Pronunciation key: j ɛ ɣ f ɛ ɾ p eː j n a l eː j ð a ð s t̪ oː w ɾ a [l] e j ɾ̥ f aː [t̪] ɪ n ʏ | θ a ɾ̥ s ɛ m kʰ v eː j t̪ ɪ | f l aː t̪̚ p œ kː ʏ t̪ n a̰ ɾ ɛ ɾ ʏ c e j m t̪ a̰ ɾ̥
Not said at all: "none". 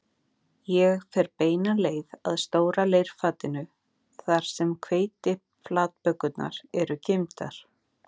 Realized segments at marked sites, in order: l, t̪

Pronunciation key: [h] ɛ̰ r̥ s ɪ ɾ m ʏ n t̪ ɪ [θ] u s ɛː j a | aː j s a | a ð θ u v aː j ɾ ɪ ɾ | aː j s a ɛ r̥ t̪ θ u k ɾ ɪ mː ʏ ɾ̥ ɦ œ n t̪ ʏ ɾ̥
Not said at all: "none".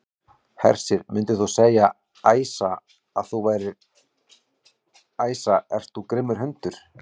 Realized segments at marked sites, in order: h, θ

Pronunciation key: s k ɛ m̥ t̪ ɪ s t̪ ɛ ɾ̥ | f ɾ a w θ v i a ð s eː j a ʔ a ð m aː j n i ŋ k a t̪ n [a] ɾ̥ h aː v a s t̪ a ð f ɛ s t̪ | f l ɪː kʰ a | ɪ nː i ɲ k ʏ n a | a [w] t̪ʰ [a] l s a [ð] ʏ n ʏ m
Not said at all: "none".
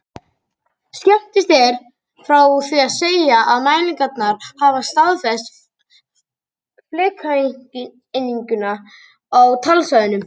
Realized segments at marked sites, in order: a, w, a, ð

